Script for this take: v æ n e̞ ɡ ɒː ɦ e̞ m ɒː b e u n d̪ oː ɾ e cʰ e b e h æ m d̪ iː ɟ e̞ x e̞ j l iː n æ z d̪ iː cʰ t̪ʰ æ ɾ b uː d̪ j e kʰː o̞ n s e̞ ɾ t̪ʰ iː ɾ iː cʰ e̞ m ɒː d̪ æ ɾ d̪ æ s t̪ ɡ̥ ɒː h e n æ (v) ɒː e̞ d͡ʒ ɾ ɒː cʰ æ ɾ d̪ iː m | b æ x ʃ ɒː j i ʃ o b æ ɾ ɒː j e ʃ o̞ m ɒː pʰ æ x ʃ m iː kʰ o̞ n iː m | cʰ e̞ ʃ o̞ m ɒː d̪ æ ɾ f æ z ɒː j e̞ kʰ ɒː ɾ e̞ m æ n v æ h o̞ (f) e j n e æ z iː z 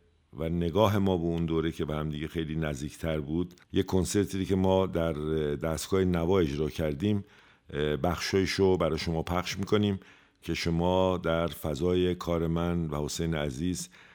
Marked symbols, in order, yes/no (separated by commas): yes, no